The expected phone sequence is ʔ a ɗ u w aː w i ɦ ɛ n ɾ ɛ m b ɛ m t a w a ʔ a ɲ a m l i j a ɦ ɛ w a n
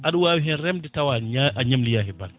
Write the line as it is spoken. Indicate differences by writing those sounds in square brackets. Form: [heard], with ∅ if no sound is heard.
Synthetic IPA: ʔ a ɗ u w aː w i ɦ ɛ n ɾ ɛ m [d] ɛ [∅] t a w a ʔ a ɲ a m l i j a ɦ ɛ [b] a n